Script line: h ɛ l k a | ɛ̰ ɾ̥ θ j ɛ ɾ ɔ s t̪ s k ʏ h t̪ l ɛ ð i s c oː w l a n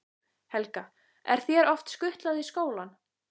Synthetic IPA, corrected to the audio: h ɛ l k a | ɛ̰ ɾ̥ θ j ɛ ɾ ɔ f t̪ s k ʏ h t̪ l a ð i s k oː w l a n